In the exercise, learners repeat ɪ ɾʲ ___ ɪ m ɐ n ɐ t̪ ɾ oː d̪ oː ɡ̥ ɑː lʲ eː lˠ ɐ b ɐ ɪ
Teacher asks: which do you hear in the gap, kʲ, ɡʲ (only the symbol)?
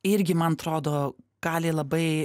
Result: ɡʲ